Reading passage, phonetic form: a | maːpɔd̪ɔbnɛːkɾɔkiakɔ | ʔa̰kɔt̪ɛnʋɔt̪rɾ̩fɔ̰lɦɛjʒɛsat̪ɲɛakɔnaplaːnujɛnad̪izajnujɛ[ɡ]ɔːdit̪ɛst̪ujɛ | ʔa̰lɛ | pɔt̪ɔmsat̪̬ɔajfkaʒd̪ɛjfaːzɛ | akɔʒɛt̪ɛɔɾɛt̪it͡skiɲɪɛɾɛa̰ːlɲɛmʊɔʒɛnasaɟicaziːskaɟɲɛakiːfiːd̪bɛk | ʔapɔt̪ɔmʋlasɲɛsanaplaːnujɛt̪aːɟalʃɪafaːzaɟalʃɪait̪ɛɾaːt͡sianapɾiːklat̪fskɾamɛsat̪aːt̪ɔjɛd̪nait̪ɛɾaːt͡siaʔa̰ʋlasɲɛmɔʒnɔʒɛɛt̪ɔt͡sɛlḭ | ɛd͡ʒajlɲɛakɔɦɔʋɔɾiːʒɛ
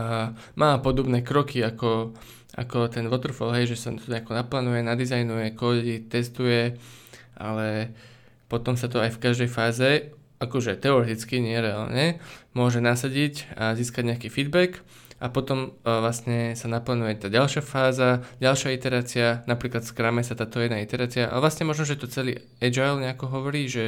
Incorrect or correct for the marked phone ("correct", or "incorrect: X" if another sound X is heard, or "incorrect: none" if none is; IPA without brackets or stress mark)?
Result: incorrect: k